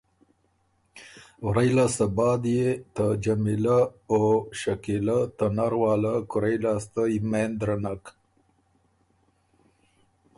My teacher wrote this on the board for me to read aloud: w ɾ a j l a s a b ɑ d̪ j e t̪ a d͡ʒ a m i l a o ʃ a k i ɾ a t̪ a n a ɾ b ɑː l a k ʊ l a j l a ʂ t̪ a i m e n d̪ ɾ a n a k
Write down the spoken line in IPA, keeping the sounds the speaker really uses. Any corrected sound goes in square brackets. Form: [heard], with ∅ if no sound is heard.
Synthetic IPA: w ɾ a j l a s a b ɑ d̪ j e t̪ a d͡ʒ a m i l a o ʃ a k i [l] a t̪ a n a ɾ [w] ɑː l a k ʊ [ɾ] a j l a [s] t̪ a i m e n d̪ ɾ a n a k